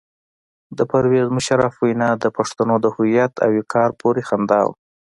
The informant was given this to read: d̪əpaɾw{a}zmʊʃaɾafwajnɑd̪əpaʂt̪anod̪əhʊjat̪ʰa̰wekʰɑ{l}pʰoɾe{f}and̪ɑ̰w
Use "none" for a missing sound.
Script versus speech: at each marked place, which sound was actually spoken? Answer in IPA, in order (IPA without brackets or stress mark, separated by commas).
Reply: e, ɾ, x